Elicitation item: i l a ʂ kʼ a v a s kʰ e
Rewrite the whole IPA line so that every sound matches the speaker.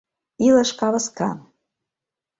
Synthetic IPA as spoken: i l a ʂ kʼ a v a s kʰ a